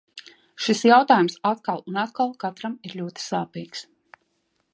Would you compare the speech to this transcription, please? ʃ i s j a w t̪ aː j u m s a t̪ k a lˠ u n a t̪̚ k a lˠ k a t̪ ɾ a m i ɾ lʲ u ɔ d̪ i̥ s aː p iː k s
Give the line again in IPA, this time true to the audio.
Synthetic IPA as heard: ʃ i s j a w t̪ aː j u m s a t̪ k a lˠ u n a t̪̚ k a lˠ k a t̪ ɾ a m i ɾ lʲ u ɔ t̪ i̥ s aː p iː k s